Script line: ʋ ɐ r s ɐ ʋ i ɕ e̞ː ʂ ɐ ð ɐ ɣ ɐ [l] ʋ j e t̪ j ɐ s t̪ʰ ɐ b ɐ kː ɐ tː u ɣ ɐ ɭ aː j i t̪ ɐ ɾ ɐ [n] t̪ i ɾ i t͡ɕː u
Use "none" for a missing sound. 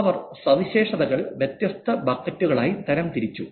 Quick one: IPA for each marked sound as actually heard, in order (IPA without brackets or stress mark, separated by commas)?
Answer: ɭ, m